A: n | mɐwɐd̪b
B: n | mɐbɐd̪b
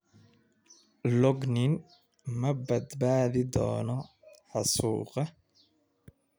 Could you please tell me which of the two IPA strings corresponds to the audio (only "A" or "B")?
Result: B